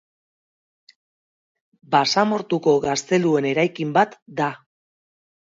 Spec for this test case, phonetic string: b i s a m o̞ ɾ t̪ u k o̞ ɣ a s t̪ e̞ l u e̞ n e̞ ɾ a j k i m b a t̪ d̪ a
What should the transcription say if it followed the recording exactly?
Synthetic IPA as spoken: b a s a m o̞ ɾ t̪ u k o̞ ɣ a s t̪ e̞ l u e̞ n e̞ ɾ a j k i m b a t̪ d̪ a